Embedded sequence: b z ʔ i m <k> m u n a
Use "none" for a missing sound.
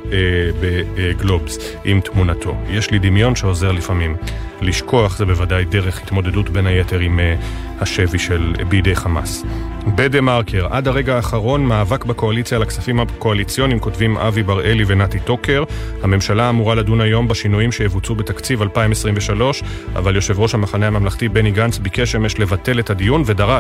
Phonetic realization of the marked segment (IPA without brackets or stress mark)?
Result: t